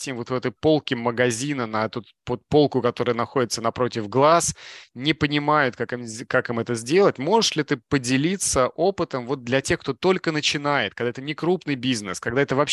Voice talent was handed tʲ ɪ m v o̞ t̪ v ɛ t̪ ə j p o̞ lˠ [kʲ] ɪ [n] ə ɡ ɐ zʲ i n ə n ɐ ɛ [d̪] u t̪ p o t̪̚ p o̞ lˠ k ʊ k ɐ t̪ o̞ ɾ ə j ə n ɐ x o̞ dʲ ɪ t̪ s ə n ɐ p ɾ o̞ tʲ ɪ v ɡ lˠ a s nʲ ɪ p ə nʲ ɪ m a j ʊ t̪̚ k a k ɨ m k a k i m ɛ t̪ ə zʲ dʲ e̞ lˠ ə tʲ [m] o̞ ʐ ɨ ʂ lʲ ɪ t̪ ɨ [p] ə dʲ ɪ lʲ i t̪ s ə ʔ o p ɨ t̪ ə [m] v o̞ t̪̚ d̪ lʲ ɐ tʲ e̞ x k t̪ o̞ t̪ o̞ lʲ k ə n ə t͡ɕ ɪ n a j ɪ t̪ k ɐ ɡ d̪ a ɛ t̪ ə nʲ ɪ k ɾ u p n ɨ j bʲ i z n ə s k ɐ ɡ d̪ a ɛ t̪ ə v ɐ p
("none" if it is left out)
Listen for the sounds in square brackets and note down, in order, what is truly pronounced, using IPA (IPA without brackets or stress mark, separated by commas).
kʲ, m, t̪, m, p, m